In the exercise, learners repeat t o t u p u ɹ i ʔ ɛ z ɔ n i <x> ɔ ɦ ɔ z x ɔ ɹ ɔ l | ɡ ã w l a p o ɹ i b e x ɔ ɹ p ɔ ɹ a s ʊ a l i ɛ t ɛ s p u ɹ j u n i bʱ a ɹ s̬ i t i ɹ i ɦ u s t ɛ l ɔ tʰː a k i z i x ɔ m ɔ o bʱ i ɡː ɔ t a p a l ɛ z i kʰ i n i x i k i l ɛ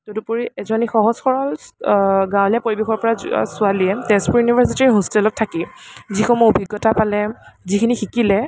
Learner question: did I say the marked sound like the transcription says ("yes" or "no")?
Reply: yes